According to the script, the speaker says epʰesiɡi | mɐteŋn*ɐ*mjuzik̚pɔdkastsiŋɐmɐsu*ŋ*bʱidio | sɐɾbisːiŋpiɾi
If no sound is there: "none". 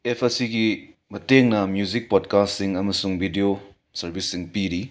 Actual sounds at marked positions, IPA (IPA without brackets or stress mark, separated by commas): ɐ, ŋ